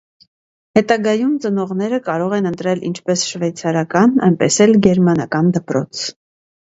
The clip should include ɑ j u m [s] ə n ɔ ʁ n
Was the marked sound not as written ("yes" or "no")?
yes